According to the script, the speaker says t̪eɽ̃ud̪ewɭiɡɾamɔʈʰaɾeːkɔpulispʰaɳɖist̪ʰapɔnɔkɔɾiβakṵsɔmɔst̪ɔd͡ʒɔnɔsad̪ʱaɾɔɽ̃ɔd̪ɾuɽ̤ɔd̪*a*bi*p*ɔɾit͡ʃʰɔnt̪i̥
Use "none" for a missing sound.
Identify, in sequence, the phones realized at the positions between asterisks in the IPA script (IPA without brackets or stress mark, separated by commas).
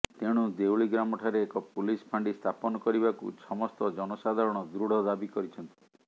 a, k